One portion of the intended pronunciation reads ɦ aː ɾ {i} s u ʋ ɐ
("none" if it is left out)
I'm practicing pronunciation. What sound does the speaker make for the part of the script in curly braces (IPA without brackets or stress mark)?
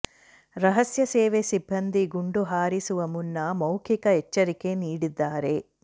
i